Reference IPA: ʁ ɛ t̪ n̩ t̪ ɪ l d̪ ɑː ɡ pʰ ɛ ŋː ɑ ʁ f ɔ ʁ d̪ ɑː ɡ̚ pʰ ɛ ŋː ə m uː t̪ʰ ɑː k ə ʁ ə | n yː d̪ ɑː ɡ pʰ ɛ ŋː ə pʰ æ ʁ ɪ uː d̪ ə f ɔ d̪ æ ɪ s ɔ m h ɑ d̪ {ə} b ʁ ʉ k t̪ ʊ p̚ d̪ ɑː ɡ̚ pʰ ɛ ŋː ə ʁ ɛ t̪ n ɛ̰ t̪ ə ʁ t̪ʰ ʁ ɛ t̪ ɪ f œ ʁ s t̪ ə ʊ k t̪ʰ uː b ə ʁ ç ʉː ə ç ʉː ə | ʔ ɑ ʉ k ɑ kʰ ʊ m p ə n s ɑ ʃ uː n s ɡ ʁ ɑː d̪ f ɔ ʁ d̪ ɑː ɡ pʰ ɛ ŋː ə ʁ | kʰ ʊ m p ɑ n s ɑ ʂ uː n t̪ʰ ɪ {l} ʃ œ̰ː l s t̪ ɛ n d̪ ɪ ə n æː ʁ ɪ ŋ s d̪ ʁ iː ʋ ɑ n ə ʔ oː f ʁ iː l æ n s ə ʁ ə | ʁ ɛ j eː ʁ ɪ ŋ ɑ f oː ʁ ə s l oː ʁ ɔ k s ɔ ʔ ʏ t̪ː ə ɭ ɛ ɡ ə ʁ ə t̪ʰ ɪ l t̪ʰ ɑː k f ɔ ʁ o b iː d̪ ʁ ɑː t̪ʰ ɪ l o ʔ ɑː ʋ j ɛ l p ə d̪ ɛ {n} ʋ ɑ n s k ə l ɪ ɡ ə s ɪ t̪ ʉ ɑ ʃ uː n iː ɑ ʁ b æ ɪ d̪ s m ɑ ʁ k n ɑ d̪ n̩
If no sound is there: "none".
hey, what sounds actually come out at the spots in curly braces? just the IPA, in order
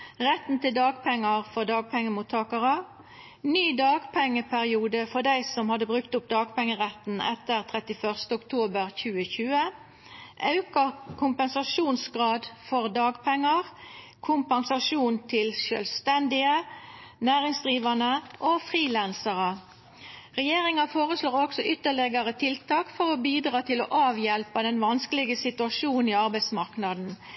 ə, l, n

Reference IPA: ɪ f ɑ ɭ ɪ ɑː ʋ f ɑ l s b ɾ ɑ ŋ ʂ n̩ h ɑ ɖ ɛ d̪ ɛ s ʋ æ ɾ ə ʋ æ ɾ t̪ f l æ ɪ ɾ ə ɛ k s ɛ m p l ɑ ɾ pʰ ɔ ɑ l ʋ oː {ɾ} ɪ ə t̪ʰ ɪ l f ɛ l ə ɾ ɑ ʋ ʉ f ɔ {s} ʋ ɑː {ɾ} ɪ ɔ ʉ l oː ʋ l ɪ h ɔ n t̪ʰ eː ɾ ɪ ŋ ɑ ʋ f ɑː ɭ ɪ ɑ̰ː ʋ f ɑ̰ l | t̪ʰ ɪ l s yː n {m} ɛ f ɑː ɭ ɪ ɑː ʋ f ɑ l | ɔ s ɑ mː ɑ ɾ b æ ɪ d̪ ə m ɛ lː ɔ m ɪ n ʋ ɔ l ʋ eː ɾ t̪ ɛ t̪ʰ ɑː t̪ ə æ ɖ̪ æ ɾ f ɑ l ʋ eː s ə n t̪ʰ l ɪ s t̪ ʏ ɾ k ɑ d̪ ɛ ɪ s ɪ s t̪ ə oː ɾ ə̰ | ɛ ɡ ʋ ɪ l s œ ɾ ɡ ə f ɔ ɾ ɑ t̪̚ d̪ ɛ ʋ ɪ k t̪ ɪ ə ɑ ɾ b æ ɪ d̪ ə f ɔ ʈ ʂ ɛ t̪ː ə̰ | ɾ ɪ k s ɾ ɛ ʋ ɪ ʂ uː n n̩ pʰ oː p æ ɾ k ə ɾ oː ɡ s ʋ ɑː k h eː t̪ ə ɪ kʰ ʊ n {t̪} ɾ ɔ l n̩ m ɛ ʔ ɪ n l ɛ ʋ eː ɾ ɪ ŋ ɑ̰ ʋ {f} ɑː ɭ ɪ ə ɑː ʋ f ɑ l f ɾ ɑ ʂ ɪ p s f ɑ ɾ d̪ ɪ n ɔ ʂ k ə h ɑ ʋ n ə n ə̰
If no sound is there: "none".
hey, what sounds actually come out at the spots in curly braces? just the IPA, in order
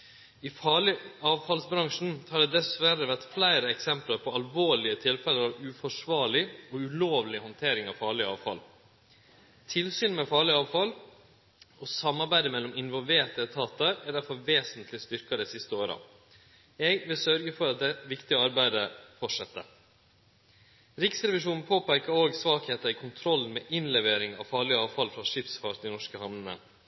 ɭ, ʂ, ɭ, m, t̪ʰ, f

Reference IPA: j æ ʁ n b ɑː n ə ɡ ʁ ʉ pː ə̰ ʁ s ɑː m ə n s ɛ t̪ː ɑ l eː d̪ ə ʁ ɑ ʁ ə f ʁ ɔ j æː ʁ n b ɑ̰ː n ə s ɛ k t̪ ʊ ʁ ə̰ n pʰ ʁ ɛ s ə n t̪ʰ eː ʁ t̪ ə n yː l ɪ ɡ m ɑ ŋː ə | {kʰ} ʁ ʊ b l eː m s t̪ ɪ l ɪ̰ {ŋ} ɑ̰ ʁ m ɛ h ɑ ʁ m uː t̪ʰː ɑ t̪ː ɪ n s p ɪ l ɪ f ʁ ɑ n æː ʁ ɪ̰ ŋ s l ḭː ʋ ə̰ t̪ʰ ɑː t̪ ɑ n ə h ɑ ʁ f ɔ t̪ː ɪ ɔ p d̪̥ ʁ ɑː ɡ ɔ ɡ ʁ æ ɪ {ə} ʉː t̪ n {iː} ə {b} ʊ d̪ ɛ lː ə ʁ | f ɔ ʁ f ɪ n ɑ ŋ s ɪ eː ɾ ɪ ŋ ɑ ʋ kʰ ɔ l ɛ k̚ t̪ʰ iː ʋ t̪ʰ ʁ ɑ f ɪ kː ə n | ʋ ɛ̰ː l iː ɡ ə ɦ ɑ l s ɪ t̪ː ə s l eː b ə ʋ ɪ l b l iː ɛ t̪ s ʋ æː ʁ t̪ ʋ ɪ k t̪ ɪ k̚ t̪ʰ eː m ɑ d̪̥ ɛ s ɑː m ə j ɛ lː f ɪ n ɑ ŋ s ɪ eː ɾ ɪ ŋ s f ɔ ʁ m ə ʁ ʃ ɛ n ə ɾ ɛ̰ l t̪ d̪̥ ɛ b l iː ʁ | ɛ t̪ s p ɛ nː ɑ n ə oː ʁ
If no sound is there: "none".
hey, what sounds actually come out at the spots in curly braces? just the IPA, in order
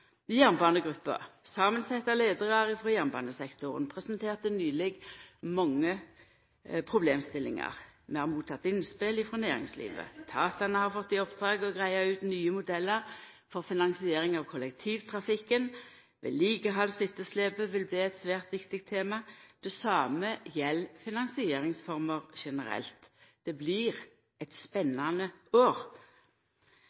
pʰ, ŋ, ɑ, yː, m

